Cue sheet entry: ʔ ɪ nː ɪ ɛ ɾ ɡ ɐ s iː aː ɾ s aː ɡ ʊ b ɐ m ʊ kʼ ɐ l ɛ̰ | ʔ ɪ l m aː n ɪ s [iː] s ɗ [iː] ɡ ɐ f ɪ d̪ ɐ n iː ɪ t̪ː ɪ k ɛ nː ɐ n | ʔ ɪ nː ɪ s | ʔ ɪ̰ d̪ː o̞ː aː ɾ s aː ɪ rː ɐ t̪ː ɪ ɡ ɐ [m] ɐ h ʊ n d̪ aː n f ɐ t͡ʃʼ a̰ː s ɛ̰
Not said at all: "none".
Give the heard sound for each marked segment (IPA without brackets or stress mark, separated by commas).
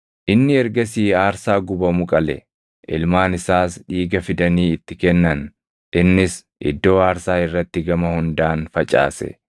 aː, iː, m